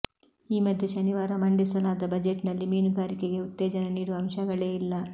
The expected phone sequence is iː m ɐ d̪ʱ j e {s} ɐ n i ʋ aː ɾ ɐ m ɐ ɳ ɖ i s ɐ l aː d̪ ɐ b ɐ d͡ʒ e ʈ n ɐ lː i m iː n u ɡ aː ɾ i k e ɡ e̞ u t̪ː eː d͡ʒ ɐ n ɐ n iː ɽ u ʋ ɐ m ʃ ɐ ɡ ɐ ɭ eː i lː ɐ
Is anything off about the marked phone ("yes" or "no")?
yes